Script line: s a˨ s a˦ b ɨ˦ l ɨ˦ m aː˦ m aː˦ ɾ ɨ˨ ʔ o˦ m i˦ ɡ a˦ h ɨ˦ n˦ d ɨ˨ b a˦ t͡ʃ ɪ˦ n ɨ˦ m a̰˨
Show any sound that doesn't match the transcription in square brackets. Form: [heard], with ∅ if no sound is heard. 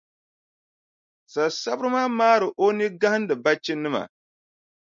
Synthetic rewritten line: s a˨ s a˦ b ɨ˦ [ɾ] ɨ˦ m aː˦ m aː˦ ɾ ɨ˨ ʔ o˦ [n] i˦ ɡ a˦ h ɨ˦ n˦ d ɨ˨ b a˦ t͡ʃ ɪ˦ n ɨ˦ m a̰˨